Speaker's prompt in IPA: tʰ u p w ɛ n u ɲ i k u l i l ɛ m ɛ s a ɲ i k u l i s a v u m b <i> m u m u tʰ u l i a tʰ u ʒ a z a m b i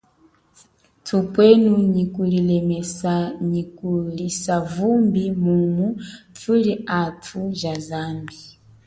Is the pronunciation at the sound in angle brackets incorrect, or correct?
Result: correct